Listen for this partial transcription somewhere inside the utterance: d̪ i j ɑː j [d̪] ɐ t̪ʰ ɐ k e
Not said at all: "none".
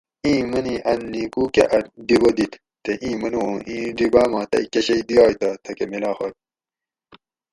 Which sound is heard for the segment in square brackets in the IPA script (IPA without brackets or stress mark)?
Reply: t̪